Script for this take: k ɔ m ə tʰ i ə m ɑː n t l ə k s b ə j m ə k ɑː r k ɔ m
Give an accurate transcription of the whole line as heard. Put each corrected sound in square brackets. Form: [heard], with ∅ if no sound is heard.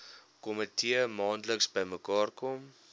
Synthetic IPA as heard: k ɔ m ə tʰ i ə m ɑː n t l ə k s b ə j m ə k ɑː r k ɔ m

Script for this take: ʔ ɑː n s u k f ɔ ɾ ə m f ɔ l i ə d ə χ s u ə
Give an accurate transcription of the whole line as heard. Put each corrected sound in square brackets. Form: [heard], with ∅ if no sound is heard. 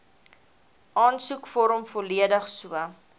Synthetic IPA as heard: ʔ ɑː n s u k f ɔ ɾ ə m f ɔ l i ə d ə χ s u ə

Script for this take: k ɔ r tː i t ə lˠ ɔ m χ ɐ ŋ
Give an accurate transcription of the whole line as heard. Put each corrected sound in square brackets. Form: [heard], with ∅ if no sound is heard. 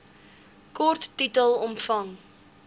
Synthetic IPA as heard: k ɔ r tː i t ə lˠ ɔ m [f] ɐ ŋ

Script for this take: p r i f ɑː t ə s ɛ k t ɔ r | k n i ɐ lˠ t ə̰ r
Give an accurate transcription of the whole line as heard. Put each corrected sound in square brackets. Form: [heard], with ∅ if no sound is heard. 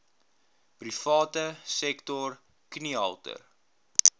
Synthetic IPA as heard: p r i f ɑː t ə s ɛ k t ɔ r | k n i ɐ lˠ t ə̰ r

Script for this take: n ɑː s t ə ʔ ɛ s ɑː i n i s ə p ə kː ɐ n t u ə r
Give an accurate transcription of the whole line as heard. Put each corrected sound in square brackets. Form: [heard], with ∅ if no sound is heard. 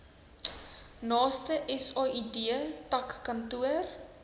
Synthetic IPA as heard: n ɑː s t ə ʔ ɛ s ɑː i [d] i [∅] ə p [ɐ] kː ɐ n t u ə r

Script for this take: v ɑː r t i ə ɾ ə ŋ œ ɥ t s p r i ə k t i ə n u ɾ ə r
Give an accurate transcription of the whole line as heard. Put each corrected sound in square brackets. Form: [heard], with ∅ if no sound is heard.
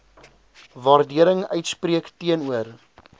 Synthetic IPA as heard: v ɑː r [d] i ə ɾ ə ŋ œ ɥ t s p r i ə k t i ə n u [∅] ə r

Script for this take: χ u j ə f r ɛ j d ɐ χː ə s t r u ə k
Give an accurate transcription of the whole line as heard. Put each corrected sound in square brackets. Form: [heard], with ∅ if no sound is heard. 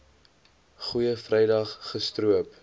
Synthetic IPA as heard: χ u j ə f r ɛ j d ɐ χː ə s t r u ə [p]

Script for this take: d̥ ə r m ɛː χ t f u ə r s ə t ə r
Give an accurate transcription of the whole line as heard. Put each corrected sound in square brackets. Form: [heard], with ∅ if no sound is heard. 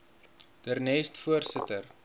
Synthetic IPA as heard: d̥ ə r [n] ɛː [s] t f u ə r s ə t ə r

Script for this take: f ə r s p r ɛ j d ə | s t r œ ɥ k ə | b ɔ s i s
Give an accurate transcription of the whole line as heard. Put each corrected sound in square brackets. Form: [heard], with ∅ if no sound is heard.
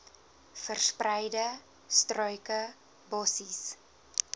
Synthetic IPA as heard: f ə r s p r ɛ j d ə | s t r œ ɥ k ə | b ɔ s i s

